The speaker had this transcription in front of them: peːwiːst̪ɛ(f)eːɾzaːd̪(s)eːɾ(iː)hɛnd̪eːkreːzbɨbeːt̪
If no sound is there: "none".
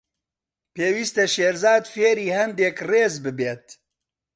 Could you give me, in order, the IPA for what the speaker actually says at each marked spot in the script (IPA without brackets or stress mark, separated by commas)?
ʃ, f, iː